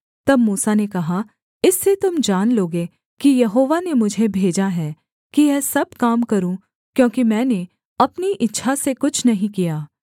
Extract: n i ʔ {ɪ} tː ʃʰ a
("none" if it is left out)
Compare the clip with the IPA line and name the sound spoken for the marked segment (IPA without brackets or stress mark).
ɪ